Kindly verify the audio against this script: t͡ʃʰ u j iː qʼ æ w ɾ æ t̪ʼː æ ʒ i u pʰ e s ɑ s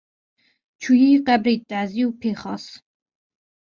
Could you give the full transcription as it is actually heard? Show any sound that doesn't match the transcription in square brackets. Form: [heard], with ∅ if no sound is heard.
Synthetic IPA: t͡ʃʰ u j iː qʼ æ [b] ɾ [i] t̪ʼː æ [z] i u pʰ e [χ] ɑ s